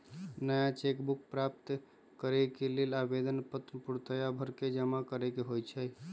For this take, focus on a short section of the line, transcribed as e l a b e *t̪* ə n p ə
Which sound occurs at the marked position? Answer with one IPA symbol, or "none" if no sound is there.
d̪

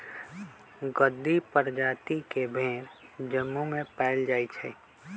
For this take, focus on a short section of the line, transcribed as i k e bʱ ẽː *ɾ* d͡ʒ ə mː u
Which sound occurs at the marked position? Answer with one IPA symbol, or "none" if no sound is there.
ɾ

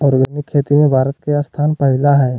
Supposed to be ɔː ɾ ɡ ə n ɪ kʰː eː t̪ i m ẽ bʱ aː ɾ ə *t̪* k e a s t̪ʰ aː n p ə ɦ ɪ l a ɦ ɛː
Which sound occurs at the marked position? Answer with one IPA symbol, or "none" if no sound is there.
t̪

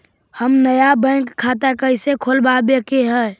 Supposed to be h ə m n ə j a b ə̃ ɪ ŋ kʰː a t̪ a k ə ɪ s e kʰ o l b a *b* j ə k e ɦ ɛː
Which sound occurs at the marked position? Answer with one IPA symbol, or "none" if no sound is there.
b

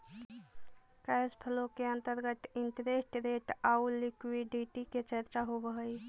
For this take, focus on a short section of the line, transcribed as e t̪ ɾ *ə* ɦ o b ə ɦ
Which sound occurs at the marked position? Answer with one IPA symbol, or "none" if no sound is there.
a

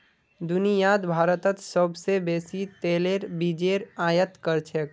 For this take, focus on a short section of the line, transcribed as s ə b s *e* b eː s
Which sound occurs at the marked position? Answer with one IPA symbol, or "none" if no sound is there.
e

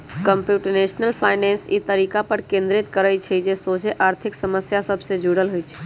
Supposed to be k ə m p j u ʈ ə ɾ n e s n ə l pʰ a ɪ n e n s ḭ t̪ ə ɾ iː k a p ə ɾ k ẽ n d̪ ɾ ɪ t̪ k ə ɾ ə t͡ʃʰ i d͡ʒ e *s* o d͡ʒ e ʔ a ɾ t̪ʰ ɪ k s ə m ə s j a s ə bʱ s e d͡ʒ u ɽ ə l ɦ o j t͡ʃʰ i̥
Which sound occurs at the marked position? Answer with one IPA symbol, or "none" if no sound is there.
s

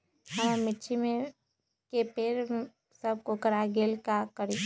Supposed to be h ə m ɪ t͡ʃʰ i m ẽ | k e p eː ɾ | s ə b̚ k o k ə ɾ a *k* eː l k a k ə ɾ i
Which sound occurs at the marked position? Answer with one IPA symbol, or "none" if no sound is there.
ɡ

